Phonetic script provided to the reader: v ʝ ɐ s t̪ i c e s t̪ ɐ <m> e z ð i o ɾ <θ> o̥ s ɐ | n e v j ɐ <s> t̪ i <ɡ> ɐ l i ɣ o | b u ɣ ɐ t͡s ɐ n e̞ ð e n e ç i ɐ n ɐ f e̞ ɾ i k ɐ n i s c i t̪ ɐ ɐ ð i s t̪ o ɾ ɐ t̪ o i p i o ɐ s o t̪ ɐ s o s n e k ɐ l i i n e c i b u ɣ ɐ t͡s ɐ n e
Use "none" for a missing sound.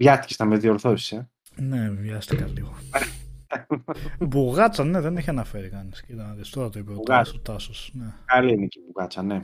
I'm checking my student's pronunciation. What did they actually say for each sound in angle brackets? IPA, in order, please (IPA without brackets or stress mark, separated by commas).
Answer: m, θ, s, k